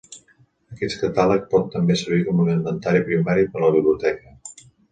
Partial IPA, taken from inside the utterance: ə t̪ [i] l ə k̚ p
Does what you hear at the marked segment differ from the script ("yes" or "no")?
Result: yes